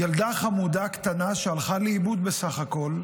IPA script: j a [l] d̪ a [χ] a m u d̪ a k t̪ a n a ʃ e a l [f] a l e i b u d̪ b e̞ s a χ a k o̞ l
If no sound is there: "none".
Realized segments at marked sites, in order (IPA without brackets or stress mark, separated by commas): l, χ, χ